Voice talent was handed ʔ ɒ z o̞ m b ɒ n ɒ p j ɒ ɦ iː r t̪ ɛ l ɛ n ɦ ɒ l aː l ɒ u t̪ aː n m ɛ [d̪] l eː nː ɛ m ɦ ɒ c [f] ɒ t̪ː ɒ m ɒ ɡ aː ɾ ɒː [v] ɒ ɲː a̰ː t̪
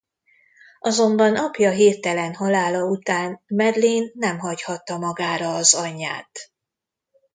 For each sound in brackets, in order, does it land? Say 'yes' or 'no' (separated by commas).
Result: yes, no, no